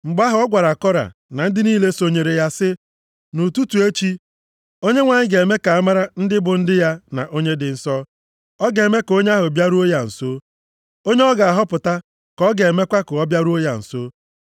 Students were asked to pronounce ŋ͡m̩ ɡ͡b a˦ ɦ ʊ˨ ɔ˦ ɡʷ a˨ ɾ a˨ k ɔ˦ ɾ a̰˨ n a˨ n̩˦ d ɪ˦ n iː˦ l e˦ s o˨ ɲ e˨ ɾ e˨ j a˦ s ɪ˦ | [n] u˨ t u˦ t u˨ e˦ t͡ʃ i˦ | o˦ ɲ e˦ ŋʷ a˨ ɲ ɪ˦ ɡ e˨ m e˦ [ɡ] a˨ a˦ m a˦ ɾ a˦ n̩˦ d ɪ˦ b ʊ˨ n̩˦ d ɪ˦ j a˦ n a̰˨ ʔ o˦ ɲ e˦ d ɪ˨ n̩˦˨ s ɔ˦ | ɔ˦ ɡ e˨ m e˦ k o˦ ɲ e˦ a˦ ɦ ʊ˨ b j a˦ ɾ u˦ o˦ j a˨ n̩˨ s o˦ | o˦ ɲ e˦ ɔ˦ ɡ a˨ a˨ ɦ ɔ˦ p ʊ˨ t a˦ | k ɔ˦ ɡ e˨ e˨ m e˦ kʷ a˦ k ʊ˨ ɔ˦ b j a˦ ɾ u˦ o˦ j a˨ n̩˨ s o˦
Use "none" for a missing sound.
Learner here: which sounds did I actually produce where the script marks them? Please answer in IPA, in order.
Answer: n, k

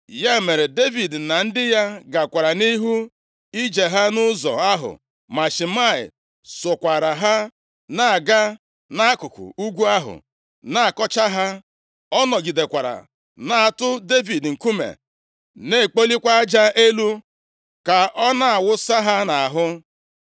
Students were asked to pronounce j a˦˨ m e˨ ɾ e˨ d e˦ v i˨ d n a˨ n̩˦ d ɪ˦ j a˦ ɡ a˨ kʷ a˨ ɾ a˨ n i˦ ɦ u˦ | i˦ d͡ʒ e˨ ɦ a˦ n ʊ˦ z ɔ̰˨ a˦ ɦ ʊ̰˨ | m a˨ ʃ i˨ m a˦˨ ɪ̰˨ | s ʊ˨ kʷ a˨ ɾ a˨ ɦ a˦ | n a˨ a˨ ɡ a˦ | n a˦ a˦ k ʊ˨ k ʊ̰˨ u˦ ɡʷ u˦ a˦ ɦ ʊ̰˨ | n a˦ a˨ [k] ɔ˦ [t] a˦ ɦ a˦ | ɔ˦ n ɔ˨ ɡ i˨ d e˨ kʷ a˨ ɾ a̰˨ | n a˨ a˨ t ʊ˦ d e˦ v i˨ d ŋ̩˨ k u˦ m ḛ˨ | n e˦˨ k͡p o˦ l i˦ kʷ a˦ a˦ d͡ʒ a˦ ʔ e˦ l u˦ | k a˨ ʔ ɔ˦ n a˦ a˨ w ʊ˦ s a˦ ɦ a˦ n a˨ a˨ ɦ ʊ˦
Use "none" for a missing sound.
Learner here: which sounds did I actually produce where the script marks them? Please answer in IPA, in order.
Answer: k, t͡ʃ

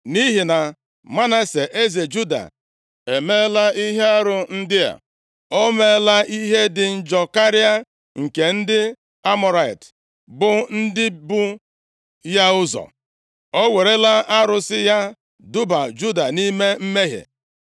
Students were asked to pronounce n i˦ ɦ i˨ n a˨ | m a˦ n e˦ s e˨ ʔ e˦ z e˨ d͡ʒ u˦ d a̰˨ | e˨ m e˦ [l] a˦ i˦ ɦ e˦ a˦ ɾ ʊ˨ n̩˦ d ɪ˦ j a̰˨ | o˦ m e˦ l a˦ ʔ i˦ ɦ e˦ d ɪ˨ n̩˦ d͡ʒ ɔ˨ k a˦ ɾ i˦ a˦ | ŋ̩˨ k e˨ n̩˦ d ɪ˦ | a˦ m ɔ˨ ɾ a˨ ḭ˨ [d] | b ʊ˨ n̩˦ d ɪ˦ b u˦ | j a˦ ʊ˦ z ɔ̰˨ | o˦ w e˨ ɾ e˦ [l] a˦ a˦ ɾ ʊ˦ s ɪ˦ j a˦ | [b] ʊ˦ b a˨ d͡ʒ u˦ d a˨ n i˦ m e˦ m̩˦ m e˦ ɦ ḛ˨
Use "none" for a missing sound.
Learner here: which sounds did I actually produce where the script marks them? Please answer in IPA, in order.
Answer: l, t, l, d

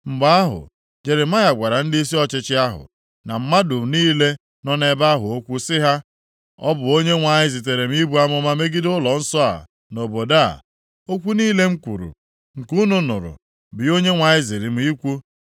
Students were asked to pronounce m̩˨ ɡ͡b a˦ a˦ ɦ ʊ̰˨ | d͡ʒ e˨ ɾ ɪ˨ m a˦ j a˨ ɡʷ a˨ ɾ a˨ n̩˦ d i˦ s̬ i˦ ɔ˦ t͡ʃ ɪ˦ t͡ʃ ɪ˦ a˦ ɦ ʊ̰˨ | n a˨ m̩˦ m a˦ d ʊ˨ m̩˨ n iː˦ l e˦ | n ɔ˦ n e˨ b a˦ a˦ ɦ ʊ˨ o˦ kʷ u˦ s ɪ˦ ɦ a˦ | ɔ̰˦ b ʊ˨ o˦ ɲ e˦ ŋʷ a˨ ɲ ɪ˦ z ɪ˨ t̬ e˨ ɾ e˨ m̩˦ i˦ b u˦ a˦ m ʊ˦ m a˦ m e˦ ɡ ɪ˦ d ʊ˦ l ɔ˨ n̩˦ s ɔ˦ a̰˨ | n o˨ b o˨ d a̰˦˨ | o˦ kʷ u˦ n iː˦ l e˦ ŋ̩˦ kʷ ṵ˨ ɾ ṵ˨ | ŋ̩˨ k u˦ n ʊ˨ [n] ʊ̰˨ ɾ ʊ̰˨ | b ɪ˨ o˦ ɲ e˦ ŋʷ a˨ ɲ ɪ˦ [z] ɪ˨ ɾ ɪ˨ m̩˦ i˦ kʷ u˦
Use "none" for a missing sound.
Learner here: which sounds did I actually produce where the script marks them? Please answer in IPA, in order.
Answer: n, z

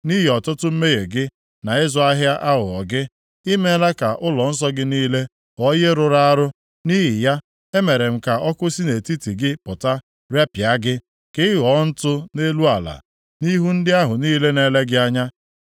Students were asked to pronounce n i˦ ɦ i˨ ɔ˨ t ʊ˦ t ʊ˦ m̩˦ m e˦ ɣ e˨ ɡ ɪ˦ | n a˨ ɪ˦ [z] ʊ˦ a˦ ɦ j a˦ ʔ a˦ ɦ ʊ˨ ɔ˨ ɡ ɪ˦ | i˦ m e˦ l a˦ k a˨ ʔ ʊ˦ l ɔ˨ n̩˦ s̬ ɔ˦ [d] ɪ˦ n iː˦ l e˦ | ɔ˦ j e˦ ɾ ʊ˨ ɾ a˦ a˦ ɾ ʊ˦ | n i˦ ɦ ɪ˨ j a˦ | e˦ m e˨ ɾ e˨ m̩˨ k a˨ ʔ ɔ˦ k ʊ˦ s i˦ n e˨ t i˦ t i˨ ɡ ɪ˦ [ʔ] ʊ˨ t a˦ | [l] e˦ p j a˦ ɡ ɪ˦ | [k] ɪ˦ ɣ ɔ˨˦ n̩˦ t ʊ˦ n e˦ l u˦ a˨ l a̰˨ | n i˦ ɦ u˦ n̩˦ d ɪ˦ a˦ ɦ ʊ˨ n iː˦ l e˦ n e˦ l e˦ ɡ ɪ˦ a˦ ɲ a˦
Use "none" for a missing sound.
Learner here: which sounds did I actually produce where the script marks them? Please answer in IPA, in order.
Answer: z, ɡ, p, ɾ, k

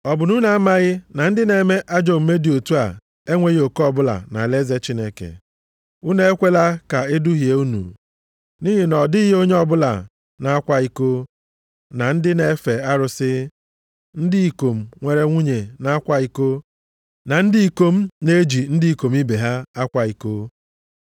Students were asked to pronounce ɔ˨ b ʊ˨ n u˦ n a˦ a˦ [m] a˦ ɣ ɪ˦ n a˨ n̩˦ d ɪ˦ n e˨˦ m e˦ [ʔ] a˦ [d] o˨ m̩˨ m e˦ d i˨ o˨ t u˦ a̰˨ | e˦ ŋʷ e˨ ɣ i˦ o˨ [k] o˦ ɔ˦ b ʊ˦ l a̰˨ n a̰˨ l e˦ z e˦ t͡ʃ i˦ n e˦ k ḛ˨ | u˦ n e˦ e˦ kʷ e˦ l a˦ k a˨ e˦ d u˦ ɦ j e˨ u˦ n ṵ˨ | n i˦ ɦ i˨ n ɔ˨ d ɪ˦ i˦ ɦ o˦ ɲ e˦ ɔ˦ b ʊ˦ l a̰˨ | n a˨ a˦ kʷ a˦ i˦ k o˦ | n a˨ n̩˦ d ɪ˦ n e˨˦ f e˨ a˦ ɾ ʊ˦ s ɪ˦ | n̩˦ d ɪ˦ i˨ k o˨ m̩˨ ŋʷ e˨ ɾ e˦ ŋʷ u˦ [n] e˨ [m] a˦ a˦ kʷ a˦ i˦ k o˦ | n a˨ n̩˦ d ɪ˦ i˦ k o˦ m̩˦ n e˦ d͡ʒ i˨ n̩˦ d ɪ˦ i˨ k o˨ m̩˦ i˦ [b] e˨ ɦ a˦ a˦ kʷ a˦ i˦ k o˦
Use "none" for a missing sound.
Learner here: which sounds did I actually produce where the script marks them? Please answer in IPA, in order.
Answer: m, ʔ, d͡ʒ, k, ɲ, n, b

